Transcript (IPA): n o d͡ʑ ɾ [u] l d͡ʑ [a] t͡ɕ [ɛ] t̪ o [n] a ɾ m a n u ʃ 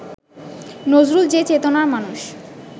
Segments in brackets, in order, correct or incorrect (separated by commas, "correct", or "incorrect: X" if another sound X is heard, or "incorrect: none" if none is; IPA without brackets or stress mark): correct, incorrect: e, incorrect: e, correct